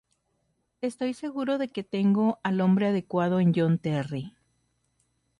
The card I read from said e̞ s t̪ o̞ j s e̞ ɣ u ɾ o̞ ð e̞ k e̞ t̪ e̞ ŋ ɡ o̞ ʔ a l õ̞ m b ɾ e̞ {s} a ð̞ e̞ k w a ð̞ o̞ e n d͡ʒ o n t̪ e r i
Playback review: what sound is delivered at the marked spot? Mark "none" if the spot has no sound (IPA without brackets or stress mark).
none